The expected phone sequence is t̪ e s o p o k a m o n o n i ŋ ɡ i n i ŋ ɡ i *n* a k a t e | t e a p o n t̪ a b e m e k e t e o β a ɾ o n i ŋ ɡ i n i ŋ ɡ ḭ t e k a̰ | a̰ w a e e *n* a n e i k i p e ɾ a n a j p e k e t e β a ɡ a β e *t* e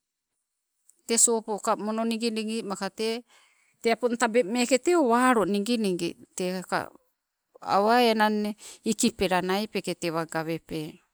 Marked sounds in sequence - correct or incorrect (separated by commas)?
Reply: incorrect, correct, incorrect